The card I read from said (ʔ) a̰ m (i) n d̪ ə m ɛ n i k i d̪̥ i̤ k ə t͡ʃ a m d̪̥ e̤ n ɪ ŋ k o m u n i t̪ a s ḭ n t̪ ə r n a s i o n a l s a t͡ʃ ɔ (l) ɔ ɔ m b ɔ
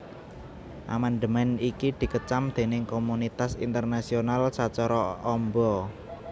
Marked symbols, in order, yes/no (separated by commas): yes, no, no